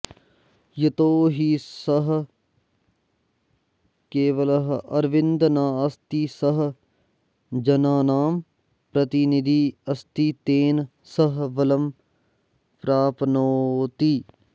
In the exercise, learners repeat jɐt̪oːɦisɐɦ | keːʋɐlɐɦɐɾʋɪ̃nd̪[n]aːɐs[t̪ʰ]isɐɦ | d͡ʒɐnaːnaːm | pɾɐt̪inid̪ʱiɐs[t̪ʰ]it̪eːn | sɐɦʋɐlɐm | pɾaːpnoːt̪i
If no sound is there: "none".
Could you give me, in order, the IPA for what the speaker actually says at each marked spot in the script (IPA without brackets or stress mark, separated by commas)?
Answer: n, t̪, t̪